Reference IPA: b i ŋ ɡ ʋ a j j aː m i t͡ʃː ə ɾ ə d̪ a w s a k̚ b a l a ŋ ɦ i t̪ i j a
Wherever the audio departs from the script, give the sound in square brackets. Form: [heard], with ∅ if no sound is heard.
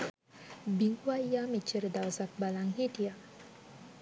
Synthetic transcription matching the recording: b i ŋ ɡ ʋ a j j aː m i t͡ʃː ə ɾ ə d̪ a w s a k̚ b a l a ŋ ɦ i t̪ i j a